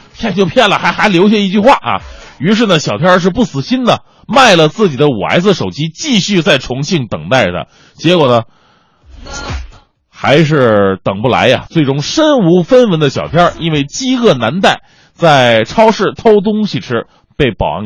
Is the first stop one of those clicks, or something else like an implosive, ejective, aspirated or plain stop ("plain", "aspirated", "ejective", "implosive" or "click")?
aspirated